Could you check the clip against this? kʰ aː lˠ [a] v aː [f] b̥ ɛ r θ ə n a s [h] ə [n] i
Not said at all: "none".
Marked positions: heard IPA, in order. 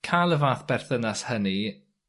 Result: ə, θ, h, n

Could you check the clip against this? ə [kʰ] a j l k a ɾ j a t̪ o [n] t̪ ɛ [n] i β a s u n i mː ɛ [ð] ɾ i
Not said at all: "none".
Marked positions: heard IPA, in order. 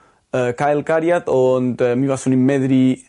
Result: k, n, m, ð

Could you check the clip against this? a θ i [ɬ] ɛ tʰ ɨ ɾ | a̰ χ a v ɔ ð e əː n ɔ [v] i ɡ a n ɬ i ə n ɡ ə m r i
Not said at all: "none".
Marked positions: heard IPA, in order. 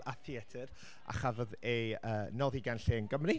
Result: none, ð

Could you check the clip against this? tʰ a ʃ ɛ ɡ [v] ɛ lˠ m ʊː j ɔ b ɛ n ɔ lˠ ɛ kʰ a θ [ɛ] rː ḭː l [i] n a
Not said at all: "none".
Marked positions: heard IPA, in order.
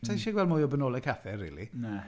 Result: w, ɛ, i

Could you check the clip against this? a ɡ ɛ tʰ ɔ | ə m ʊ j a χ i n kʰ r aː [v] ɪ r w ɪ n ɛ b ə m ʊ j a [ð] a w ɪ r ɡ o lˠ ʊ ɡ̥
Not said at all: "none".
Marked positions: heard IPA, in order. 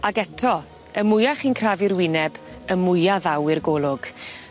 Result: v, ð

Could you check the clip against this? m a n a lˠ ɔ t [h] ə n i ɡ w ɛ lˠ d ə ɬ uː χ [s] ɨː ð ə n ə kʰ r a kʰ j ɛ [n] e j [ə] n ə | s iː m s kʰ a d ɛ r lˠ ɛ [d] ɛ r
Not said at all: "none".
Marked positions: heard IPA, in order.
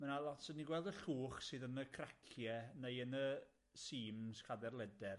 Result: s, s, n, ə, d

